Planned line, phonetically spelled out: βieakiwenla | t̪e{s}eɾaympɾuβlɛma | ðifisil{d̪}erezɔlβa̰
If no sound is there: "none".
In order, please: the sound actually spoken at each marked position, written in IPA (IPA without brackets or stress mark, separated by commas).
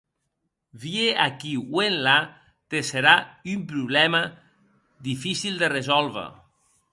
s, d̪